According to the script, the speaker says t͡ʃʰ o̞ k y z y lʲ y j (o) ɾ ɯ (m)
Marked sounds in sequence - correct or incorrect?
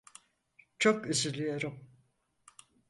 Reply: correct, correct

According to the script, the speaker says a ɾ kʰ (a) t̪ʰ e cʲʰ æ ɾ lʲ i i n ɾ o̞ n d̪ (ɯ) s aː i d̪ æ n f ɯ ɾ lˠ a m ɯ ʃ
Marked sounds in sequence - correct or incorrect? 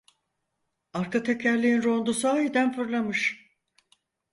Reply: correct, incorrect

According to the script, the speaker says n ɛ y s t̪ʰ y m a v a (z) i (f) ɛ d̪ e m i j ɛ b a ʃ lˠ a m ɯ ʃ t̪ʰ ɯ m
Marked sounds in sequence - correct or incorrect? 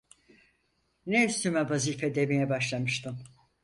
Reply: correct, correct

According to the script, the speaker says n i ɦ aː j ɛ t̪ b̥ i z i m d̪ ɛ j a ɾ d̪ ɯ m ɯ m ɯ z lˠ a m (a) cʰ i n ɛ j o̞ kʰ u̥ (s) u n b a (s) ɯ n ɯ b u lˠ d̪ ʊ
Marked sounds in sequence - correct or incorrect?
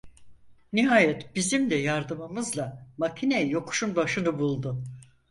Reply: correct, incorrect, incorrect

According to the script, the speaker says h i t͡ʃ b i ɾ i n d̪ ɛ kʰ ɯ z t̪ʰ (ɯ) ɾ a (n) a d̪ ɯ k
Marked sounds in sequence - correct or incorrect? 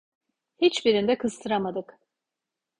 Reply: correct, incorrect

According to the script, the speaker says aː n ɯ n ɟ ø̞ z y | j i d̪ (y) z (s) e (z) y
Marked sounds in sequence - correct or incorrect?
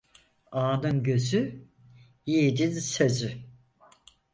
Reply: incorrect, correct, correct

